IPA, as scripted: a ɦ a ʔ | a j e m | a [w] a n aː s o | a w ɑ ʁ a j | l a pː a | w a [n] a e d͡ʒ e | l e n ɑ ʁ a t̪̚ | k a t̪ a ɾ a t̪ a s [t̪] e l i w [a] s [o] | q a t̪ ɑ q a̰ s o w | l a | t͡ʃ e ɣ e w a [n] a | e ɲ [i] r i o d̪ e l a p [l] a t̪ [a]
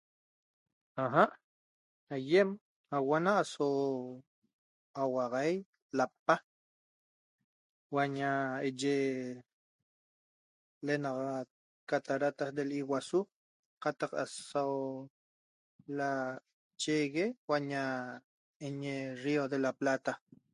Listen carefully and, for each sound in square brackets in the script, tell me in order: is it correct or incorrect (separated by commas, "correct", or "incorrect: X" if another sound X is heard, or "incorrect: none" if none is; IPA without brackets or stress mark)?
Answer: correct, incorrect: ɲ, incorrect: d̪, correct, incorrect: u, incorrect: ɲ, incorrect: e, correct, correct